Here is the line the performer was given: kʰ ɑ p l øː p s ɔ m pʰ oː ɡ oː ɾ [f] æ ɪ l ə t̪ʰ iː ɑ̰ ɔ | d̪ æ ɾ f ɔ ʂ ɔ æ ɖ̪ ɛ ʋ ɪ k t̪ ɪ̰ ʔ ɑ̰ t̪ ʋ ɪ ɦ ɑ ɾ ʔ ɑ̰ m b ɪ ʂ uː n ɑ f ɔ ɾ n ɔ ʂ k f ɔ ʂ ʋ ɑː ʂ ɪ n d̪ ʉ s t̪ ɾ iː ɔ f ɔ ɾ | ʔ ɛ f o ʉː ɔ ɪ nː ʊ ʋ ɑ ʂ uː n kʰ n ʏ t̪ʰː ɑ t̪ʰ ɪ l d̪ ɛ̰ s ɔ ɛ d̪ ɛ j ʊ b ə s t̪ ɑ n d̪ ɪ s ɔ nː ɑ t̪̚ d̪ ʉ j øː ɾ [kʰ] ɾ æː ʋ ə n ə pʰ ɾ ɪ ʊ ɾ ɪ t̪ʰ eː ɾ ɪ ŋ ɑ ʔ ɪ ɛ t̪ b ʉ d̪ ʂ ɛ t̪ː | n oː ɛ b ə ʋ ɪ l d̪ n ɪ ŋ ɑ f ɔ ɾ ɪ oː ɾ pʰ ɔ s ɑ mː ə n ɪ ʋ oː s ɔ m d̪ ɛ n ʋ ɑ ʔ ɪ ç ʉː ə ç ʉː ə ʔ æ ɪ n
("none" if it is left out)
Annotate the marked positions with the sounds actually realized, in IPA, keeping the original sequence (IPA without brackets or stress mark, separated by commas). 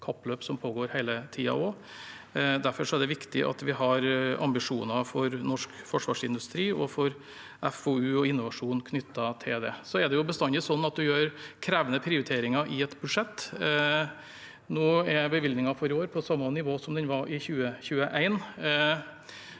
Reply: h, kʰ